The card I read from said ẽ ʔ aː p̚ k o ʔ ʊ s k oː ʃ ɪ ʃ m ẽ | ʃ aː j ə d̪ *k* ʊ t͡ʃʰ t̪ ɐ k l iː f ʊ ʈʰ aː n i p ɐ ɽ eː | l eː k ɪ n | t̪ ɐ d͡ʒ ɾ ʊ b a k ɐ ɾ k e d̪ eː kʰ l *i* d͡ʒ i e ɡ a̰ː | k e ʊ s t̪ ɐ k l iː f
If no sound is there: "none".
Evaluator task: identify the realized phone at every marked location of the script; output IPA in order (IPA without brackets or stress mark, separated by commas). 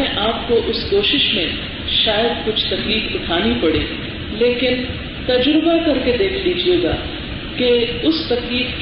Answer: k, iː